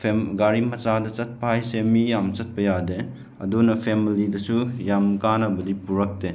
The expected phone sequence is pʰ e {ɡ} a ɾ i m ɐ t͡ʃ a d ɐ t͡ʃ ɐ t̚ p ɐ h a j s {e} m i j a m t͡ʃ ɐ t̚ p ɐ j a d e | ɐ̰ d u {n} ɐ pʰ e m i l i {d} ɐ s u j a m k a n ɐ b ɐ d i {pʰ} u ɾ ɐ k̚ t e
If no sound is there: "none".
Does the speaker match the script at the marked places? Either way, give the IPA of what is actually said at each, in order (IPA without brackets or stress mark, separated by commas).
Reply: ɡ, e, n, d, p